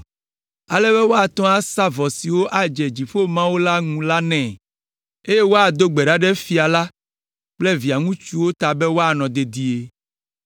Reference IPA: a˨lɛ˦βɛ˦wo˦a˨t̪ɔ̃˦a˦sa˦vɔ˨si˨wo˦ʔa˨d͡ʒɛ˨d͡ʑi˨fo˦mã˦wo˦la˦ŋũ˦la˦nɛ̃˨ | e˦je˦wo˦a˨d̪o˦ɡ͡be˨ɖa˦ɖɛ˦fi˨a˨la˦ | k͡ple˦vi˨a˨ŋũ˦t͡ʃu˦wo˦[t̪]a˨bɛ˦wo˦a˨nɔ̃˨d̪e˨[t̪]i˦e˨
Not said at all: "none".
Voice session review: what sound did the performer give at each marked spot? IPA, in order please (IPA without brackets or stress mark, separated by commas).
t̪, d̪